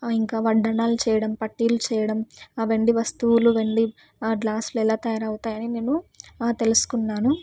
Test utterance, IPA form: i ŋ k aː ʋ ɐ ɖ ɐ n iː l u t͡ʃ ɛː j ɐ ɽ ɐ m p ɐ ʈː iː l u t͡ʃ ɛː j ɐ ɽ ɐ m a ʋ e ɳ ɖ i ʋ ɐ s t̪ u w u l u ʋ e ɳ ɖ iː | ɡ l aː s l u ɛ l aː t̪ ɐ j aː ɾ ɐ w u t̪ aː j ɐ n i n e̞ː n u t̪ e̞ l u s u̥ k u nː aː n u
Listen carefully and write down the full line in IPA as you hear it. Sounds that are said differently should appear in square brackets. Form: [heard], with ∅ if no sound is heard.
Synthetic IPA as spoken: i ŋ k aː ʋ ɐ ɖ ɐ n [aː] l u t͡ʃ ɛː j ɐ ɽ ɐ m p ɐ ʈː iː l u t͡ʃ ɛː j ɐ ɽ ɐ m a ʋ e ɳ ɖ i ʋ ɐ s t̪ u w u l u ʋ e ɳ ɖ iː | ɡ l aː s l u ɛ l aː t̪ ɐ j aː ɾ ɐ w u t̪ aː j ɐ n i n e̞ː n u t̪ e̞ l u s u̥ k u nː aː n u